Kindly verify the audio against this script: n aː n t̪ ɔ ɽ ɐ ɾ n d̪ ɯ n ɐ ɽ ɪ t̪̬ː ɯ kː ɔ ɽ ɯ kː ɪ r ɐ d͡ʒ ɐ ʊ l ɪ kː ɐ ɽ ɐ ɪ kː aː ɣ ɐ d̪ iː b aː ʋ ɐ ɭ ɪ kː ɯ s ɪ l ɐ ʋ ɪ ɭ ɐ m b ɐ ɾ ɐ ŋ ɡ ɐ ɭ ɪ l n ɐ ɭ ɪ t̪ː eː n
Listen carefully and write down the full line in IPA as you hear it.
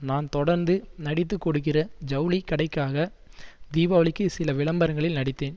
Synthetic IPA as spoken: n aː n t̪ ɔ ɽ ɐ ɾ n d̪ ɯ n ɐ ɽ ɪ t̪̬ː ɯ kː ɔ ɽ ɯ kː ɪ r ɐ d͡ʒ ɐ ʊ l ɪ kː ɐ ɽ ɐ ɪ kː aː ɣ ɐ d̪ iː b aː ʋ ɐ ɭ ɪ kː ɯ s ɪ l ɐ ʋ ɪ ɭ ɐ m b ɐ ɾ ɐ ŋ ɡ ɐ ɭ ɪ l n ɐ ɽ ɪ t̪ː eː n

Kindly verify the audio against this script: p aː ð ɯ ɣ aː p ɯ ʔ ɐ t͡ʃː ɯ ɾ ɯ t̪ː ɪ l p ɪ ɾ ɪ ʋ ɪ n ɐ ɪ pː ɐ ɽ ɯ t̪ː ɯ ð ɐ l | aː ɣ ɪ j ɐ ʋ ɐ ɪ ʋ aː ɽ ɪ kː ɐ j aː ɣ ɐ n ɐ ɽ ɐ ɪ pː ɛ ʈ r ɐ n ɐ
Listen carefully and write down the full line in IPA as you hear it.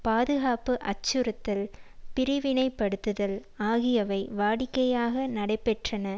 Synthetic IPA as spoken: p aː ð ɯ ɣ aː p ɯ ʔ ɐ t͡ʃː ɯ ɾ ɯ t̪ː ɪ l p ɪ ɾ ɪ ʋ ɪ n ɐ ɪ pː ɐ ɽ ɯ t̪ː ɯ ð ɐ l | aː ɣ ɪ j ɐ ʋ ɐ ɪ ʋ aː ɽ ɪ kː ɐ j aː ɣ ɐ n ɐ ɽ ɐ ɪ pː ɛ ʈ r ɐ n ɐ

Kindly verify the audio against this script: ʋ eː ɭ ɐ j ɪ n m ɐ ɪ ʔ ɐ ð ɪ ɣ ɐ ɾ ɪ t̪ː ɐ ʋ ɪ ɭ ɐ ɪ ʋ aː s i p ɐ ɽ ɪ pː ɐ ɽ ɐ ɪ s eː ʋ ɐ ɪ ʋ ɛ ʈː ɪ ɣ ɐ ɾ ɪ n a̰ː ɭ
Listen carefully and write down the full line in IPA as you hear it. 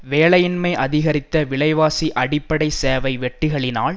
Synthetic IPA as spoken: ʋ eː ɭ ɐ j ɪ n m ɐ ɪ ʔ ɐ ð ɪ ɣ ɐ ɾ ɪ t̪ː ɐ ʋ ɪ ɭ ɐ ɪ ʋ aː s i ʔ ɐ ɽ ɪ pː ɐ ɽ ɐ ɪ s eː ʋ ɐ ɪ ʋ ɛ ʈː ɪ ɣ ɐ ɭ ɪ n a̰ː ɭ

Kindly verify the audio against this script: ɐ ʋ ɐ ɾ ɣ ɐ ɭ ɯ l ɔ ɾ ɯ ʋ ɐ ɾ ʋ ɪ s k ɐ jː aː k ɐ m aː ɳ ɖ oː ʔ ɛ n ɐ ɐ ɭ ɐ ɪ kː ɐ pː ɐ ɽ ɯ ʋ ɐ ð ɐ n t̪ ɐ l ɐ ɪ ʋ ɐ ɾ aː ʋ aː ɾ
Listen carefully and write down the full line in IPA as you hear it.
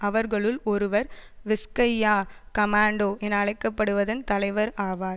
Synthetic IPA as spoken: ɐ ʋ ɐ ɾ ɣ ɐ ɭ ɯ l ɔ ɾ ɯ ʋ ɐ ɾ ʋ ɪ s k ɐ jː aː k ɐ m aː ɳ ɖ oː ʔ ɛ n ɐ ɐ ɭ ɐ ɪ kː ɐ pː ɐ ɽ ɯ ʋ ɐ ð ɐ n t̪ ɐ l ɐ ɪ ʋ ɐ ɾ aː ʋ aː ɾ

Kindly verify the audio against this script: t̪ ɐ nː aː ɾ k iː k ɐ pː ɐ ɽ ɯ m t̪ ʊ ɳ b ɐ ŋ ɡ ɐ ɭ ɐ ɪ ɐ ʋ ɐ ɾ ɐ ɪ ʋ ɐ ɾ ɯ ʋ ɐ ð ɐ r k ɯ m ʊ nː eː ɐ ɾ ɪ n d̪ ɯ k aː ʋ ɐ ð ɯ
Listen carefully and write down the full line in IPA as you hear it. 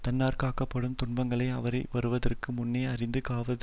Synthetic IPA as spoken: t̪ ɐ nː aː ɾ k aː k ɐ pː ɐ ɽ ɯ m t̪ ʊ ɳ b ɐ ŋ ɡ ɐ ɭ ɐ ɪ ɐ ʋ ɐ ɾ ɐ ɪ ʋ ɐ ɾ ɯ ʋ ɐ ð ɐ r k ɯ m ʊ nː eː ɐ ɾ ɪ n d̪ ɯ k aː ʋ ɐ ð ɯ

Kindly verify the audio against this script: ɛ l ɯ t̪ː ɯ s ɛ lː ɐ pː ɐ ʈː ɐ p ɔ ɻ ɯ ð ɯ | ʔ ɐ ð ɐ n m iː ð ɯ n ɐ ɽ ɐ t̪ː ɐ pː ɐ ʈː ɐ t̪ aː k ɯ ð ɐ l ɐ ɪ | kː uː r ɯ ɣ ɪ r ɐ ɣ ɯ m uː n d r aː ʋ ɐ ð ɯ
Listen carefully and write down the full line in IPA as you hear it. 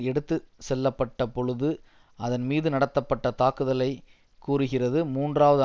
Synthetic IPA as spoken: ɛ ɽ ɯ t̪ː ɯ s ɛ lː ɐ pː ɐ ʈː ɐ p ɔ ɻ ɯ ð ɯ | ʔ ɐ ð ɐ n m iː ð ɯ n ɐ ɽ ɐ t̪ː ɐ pː ɐ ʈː ɐ t̪ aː k ɯ ð ɐ l ɐ ɪ | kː uː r ɯ ɣ ɪ r ɐ ð ɯ m uː n d r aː ʋ ɐ ð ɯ

